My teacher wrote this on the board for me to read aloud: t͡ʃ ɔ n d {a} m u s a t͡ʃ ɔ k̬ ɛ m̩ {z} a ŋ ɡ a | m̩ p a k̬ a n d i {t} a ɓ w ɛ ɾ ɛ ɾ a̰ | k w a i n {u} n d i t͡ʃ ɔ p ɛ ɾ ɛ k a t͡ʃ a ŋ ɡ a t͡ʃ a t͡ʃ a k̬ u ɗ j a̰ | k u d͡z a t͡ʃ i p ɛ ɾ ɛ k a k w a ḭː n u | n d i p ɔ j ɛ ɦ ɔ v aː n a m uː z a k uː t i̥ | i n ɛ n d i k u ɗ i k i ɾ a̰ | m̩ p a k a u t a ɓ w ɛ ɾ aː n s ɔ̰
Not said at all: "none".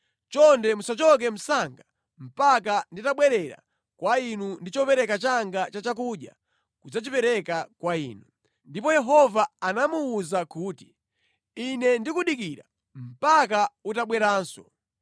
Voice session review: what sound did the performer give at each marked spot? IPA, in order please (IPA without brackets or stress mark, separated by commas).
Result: ɛ, s, t, u